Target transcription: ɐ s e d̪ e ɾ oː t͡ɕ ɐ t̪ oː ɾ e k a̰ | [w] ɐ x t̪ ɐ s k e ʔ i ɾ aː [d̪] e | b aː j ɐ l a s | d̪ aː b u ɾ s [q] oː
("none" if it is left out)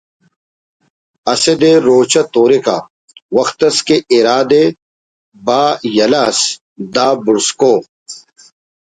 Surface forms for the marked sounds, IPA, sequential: w, d̪, k

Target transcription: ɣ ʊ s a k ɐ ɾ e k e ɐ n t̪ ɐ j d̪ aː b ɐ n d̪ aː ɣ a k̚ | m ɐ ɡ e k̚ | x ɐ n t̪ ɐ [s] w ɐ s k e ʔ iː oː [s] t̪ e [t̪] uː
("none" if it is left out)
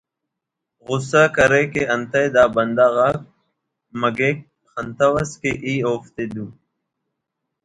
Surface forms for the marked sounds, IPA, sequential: none, f, d̪

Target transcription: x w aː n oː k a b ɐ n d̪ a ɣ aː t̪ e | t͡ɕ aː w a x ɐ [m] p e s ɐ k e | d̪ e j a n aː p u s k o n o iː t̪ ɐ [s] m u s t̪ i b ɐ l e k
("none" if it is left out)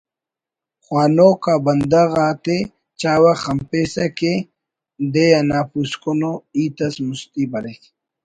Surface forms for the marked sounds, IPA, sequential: m, s

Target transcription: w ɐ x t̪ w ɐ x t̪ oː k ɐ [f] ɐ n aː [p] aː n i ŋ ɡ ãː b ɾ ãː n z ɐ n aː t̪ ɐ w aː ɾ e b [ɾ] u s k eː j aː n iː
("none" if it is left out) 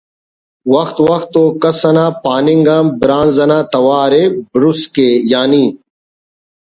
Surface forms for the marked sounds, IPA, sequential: s, p, ɾ

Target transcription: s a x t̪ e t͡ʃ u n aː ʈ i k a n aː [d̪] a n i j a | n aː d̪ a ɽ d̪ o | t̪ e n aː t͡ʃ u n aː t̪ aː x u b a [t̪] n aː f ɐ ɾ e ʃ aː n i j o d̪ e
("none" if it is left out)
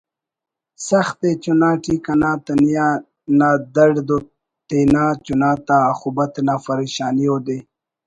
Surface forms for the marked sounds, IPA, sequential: t̪, t̪

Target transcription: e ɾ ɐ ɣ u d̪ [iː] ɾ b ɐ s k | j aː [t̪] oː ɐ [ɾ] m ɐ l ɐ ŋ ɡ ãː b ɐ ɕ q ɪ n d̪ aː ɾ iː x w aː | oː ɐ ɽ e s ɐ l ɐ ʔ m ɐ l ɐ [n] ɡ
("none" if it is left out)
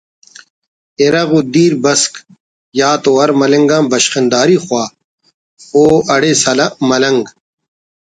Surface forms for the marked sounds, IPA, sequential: iː, t̪, ɾ, ŋ

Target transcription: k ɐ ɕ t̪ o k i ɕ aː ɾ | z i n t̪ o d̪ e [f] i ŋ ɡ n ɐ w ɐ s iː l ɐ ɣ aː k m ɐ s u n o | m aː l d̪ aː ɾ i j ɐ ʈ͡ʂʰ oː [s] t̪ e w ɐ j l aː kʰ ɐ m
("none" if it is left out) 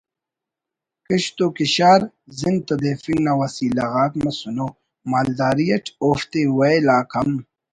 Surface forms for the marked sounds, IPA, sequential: f, f

